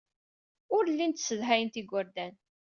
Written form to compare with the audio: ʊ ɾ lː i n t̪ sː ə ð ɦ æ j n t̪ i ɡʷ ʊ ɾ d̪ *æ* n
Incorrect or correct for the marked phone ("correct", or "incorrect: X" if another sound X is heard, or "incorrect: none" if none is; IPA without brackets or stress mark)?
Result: correct